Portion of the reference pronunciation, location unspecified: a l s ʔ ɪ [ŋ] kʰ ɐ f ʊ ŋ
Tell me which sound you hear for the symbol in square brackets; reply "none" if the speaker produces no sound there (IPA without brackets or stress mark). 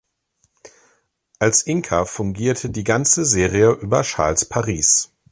ŋ